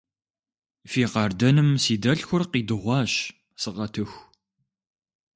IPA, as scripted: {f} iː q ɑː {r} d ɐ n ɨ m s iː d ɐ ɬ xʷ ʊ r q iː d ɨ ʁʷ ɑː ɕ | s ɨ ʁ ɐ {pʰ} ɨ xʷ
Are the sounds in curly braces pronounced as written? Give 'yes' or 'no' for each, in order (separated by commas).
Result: yes, yes, no